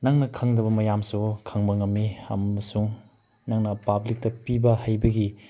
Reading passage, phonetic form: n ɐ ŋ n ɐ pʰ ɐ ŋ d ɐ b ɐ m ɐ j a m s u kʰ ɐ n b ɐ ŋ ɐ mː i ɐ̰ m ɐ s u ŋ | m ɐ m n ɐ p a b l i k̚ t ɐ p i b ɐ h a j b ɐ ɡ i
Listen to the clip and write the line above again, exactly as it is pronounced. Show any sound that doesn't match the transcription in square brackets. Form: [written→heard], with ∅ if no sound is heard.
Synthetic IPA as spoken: n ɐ ŋ n ɐ [pʰ→kʰ] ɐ ŋ d ɐ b ɐ m ɐ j a m s u kʰ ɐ [n→ŋ] b ɐ ŋ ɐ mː i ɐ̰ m ɐ s u ŋ | [m→n] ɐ [m→ŋ] n ɐ p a b l i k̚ t ɐ p i b ɐ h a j b ɐ ɡ i